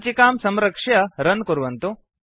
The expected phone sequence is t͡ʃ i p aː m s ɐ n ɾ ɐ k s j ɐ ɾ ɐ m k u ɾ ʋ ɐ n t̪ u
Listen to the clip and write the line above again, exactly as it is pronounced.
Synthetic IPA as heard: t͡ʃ i k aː m s ɐ m ɾ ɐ k ʂ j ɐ ɾ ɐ n k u ɾ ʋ ɐ n t̪ u